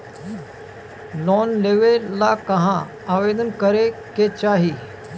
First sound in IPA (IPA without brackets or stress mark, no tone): l